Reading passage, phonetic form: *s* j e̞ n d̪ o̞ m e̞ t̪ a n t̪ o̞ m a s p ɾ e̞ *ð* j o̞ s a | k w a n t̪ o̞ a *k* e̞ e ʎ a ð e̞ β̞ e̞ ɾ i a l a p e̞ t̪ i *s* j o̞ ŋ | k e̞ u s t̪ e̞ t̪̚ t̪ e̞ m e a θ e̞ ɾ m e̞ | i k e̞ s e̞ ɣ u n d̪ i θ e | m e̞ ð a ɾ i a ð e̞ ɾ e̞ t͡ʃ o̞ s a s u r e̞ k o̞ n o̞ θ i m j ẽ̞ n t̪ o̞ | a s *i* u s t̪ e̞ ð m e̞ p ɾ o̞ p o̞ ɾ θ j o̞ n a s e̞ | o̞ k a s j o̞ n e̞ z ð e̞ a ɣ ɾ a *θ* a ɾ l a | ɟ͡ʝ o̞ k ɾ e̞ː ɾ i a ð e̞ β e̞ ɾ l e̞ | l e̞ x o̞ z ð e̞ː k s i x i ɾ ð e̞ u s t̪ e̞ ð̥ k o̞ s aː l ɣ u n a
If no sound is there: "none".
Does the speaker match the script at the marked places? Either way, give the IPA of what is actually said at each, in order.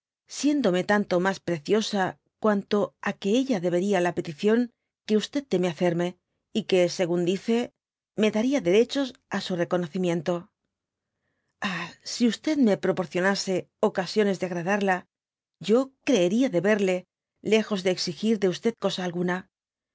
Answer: s, θ, k, θ, i, ð

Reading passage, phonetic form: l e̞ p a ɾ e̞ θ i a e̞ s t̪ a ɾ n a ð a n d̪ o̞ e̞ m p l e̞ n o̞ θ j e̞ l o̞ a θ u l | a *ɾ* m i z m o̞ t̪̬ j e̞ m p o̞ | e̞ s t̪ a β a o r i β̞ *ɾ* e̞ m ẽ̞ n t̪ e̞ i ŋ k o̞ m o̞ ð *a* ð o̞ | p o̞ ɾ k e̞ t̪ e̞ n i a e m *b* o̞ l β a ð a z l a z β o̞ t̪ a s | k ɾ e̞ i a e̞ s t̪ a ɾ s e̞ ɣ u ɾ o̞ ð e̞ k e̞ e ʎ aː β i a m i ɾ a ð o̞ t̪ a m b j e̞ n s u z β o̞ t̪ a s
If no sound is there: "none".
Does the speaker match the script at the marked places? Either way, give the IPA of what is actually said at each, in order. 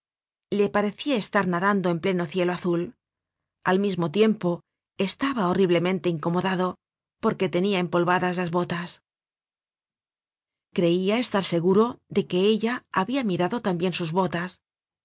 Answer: l, l, a, p

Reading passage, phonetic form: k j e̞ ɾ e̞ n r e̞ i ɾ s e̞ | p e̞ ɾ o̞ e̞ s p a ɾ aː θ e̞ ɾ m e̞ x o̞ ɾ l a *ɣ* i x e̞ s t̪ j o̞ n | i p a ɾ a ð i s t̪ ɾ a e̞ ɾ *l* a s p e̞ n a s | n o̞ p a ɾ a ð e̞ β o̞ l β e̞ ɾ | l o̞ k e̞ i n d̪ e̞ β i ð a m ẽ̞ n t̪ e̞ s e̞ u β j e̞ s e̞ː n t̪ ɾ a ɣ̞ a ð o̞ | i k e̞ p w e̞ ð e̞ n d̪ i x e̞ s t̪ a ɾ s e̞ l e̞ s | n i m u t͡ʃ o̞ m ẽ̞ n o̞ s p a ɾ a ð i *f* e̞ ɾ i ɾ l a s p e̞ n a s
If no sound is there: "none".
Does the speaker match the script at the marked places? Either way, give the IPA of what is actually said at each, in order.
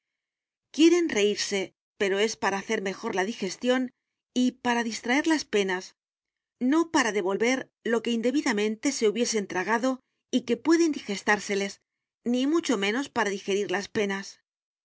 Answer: ð, l, x

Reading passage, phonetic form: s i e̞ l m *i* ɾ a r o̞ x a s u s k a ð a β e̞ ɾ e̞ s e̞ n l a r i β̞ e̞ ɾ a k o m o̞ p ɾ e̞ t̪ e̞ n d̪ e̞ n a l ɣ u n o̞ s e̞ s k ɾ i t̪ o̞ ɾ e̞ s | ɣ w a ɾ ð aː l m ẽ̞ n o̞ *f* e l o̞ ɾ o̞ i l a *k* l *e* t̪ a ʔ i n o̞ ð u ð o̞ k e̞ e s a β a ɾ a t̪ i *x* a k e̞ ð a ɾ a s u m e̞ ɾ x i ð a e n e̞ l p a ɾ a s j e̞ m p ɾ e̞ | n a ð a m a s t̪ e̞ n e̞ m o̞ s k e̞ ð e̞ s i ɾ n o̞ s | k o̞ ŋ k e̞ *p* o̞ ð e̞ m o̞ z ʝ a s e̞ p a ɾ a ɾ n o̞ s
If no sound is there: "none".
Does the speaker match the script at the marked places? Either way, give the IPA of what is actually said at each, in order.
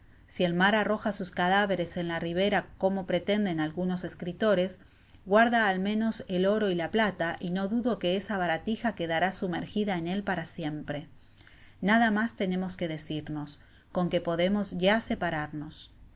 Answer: a, s, p, a, x, p

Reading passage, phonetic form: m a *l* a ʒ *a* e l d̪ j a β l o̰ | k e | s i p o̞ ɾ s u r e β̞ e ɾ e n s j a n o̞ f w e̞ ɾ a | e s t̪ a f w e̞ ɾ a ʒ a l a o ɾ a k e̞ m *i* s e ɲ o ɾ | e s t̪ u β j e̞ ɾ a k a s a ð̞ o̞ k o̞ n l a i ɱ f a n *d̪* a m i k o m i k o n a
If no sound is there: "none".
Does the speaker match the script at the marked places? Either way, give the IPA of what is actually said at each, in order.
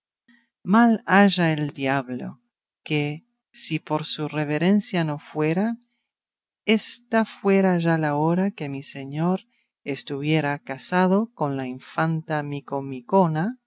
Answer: l, a, i, t̪

